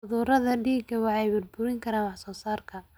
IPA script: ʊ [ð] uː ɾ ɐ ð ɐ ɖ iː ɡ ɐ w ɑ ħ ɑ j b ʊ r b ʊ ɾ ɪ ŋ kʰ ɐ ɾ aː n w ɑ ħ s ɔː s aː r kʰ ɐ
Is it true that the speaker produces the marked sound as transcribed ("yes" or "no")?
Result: yes